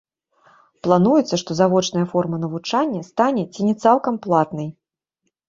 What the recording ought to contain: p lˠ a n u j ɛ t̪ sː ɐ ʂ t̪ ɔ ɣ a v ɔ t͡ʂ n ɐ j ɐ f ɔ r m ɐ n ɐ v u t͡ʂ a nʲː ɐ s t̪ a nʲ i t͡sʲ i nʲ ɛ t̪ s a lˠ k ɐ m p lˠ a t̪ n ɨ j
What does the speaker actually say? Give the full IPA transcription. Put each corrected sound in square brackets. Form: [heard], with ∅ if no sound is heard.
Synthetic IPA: p lˠ a n u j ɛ t̪ sː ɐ ʂ t̪ ɔ [z] a v ɔ t͡ʂ n ɐ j ɐ f ɔ r m ɐ n ɐ v u t͡ʂ a nʲː ɐ s t̪ a nʲ [ɛ] t͡sʲ i nʲ ɛ t̪ s a lˠ k ɐ m p lˠ a t̪ n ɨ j